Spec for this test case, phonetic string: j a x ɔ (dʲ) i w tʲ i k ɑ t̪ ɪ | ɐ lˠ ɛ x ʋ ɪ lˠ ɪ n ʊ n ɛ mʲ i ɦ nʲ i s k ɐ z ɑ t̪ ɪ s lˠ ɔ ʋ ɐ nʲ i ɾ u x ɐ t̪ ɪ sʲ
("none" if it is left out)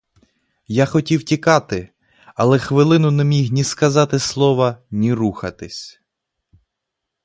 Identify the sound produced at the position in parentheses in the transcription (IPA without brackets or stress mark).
tʲ